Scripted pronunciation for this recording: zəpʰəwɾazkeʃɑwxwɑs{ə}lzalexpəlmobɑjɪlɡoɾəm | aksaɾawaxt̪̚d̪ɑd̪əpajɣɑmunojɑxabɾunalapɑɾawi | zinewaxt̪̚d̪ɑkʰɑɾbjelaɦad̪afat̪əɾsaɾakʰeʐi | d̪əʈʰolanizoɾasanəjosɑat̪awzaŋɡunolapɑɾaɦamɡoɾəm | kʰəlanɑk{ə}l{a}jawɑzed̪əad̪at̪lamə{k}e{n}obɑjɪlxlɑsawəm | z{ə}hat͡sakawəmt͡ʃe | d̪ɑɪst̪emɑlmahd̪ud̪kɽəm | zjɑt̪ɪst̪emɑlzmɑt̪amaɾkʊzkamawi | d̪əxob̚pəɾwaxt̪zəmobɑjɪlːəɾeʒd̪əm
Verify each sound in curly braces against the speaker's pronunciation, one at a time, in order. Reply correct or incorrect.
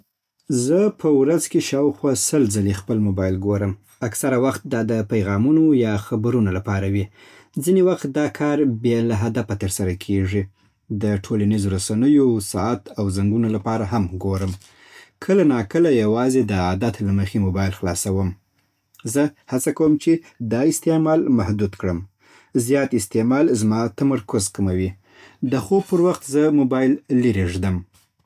correct, correct, correct, incorrect, incorrect, correct

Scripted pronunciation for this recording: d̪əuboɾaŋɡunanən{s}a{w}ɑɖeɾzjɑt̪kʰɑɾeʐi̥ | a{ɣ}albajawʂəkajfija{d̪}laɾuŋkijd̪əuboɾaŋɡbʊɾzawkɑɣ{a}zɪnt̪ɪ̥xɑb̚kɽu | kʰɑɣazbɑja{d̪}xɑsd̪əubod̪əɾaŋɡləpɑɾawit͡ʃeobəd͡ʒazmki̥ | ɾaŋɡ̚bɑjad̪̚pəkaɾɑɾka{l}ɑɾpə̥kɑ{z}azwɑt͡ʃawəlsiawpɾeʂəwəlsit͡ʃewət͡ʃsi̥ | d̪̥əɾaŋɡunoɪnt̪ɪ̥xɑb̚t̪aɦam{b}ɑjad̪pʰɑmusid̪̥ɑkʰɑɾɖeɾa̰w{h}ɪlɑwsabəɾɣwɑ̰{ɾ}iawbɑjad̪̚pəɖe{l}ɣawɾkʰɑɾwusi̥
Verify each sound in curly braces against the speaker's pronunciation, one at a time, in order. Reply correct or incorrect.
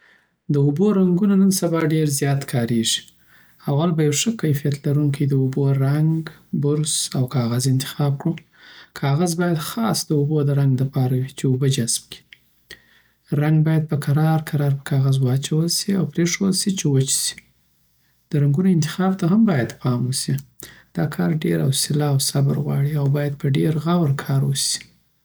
correct, incorrect, incorrect, incorrect, correct, correct, incorrect, incorrect, correct, incorrect, incorrect, incorrect

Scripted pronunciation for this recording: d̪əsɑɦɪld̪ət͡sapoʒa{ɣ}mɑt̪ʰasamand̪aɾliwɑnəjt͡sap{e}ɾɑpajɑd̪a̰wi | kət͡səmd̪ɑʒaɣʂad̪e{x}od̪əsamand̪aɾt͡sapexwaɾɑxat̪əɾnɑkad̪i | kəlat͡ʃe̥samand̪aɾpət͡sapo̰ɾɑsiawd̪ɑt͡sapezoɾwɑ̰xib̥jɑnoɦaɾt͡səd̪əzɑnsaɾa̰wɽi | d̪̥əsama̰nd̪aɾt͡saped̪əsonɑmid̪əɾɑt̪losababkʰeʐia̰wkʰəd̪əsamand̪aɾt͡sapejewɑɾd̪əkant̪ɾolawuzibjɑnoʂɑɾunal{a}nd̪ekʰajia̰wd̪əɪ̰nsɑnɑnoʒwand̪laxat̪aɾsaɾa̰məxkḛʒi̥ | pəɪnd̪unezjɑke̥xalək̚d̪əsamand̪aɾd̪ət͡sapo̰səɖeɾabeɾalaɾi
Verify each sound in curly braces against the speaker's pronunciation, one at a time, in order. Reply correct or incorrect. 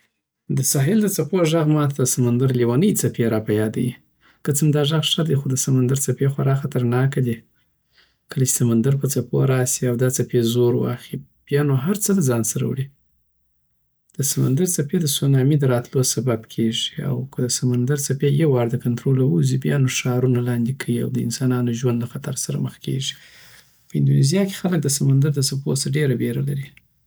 correct, correct, correct, incorrect

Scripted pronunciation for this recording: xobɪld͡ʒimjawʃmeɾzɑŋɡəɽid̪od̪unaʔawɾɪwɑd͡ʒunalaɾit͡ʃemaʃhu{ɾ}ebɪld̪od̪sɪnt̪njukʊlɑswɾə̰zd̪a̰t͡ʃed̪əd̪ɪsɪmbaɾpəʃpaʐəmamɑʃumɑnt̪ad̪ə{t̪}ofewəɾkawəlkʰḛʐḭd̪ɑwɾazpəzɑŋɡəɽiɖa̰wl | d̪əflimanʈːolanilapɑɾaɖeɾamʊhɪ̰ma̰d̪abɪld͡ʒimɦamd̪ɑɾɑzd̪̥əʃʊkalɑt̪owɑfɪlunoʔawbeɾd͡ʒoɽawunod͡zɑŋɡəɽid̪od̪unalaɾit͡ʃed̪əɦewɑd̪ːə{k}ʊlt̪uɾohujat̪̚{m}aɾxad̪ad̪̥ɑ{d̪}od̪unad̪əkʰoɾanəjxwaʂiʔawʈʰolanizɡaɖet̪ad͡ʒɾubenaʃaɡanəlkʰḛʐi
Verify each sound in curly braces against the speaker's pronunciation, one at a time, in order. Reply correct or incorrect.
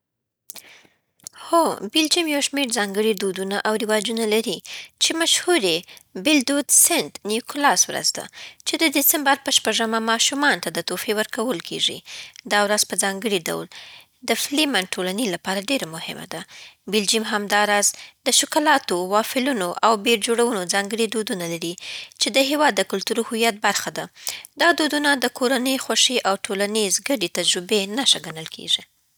correct, correct, correct, incorrect, correct

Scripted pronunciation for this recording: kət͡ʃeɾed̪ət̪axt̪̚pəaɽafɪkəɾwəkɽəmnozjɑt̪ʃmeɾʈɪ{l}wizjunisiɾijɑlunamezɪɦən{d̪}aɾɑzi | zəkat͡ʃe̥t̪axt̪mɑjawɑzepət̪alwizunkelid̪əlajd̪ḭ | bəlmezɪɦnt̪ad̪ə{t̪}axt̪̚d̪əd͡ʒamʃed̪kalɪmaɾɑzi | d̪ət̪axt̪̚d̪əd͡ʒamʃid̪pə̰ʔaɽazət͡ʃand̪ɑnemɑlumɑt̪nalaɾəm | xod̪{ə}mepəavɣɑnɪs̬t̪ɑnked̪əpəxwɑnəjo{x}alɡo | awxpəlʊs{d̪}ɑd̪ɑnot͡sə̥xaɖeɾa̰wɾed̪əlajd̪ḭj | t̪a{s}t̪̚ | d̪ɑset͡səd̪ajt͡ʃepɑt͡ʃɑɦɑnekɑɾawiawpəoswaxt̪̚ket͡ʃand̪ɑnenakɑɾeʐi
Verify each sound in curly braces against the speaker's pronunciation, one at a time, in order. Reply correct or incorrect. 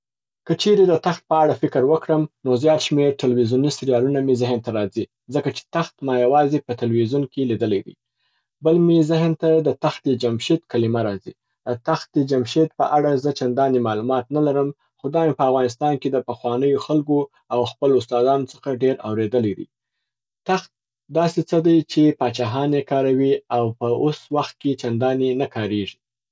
correct, incorrect, correct, incorrect, correct, incorrect, incorrect

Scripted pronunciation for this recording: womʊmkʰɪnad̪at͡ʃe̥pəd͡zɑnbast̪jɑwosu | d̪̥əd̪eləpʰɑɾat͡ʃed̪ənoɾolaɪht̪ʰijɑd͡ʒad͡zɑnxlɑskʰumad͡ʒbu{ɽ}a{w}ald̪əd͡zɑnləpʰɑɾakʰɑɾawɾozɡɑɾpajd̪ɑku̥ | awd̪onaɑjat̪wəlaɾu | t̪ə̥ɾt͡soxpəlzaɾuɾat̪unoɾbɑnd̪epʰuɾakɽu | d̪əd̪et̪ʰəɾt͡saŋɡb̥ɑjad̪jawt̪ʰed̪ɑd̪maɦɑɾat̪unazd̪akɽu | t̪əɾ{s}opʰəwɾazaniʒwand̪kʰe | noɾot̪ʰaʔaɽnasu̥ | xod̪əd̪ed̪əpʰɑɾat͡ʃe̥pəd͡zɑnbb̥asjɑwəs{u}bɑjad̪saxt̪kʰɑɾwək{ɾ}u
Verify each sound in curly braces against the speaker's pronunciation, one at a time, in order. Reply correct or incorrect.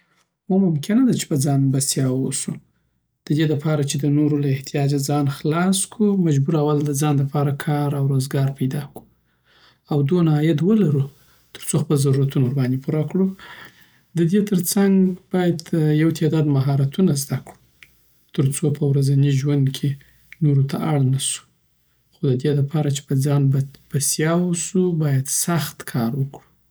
incorrect, correct, incorrect, correct, incorrect

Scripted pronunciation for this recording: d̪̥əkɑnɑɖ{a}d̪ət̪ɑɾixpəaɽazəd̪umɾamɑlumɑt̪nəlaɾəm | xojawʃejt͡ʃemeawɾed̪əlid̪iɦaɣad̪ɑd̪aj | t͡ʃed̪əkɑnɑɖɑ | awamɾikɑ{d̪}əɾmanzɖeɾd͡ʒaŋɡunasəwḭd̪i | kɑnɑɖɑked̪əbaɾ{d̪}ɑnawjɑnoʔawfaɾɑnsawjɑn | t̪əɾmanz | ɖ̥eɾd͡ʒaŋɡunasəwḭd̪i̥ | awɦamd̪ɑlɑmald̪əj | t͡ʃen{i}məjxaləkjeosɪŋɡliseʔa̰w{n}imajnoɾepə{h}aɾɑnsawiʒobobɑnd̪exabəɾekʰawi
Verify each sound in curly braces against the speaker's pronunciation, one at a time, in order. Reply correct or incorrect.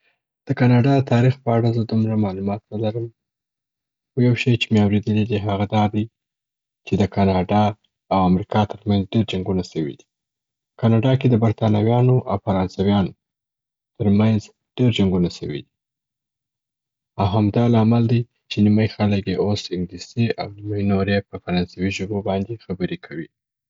incorrect, incorrect, incorrect, correct, correct, incorrect

